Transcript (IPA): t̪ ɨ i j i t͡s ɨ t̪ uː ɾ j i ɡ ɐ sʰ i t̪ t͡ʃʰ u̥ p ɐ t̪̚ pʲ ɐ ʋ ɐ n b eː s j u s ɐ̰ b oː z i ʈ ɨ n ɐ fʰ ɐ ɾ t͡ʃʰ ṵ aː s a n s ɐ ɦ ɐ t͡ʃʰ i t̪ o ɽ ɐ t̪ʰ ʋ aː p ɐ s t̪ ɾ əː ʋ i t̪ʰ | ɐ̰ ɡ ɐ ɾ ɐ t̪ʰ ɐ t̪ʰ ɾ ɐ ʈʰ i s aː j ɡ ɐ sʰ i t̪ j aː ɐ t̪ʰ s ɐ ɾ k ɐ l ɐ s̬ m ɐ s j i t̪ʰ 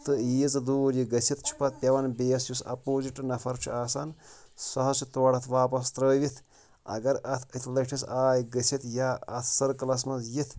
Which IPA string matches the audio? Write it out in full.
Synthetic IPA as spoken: t̪ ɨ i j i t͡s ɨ d̪ uː ɾ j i ɡ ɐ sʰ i t̪ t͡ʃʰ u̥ p ɐ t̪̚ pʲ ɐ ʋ ɐ n b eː s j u s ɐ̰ p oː z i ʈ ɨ n ɐ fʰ ɐ ɾ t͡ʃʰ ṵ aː s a n s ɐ ɦ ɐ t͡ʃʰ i t̪ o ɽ ɐ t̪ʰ ʋ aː p ɐ s t̪ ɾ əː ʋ i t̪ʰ | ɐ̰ ɡ ɐ ɾ ɐ t̪ʰ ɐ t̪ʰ l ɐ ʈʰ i s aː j ɡ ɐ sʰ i t̪ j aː ɐ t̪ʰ s ɐ ɾ k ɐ l ɐ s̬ m ɐ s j i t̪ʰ